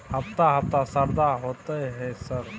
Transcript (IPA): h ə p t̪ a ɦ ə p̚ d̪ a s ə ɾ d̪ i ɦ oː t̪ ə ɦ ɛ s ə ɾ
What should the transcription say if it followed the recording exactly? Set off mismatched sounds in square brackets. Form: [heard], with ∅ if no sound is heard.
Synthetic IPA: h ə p t̪ a ɦ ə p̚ [t̪] a s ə ɾ d̪ [a] ɦ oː t̪ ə ɦ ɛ s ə ɾ

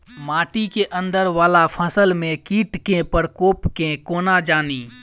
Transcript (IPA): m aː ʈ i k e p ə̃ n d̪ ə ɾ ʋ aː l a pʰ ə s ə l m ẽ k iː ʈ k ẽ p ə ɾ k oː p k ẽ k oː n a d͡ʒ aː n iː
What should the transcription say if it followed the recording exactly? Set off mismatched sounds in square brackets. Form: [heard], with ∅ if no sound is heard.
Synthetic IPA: m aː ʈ i k e [ʔ] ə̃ n d̪ ə ɾ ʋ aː l a pʰ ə s ə l m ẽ k iː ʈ k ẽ p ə ɾ k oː p k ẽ k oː n a d͡ʒ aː n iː

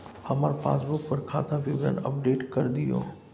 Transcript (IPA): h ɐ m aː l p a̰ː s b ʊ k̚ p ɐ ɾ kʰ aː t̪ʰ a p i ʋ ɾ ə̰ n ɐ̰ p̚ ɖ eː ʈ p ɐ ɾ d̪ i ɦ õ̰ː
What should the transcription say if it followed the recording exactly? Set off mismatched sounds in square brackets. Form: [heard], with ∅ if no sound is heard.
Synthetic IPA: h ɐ m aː [ɾ] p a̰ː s b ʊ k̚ p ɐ ɾ kʰ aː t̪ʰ a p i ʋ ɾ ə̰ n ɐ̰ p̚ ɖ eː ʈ [k] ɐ ɾ d̪ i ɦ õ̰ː

